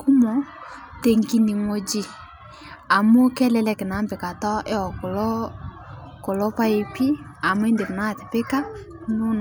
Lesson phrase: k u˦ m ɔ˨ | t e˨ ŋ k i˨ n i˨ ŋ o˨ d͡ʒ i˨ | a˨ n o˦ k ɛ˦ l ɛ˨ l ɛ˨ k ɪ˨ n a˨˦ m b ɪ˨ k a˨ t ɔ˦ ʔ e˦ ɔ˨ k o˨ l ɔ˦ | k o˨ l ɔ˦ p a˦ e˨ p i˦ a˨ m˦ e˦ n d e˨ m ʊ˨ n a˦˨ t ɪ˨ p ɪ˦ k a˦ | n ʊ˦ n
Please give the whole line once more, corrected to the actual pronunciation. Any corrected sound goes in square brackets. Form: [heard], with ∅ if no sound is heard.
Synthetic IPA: k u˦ m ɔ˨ | t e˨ ŋ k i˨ n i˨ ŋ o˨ d͡ʒ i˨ | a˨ [m] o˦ k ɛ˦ l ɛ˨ l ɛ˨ k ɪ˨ n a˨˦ m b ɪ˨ k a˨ t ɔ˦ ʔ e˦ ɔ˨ k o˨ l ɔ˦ | k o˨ l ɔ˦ p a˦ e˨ p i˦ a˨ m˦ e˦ n d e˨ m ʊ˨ n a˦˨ t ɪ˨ p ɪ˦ k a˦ | n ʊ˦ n